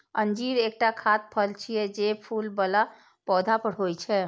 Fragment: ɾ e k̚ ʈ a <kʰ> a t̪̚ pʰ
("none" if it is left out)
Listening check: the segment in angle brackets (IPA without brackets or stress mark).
kʰ